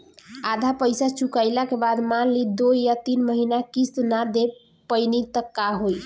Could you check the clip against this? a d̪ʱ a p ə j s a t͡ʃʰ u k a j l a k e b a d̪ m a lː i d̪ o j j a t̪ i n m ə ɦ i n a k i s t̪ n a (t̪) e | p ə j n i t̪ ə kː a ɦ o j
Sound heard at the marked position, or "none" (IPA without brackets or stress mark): d̪